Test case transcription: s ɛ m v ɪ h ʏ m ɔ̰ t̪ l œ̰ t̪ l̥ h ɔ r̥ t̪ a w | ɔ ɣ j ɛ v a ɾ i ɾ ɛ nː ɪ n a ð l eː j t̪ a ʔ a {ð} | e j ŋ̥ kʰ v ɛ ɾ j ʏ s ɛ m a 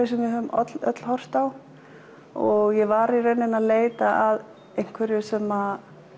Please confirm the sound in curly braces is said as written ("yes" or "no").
yes